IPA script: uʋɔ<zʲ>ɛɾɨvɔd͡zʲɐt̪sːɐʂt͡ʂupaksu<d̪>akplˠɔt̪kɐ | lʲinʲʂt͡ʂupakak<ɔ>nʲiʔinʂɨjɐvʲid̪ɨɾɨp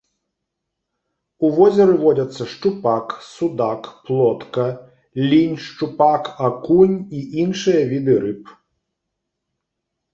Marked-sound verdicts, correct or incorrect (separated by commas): correct, correct, incorrect